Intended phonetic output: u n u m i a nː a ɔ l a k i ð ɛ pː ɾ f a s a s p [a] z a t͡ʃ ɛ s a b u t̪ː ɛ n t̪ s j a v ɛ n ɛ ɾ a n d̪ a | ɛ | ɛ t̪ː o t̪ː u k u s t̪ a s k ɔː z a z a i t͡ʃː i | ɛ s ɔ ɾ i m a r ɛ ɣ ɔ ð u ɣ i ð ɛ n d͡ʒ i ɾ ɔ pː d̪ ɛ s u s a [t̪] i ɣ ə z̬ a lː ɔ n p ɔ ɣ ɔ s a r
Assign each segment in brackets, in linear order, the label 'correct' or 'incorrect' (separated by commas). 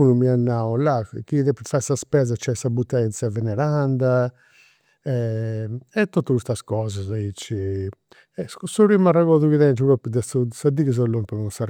incorrect, incorrect